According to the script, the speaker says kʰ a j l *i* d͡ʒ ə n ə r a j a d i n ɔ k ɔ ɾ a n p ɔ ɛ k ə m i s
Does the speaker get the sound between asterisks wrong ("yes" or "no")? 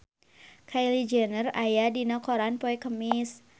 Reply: no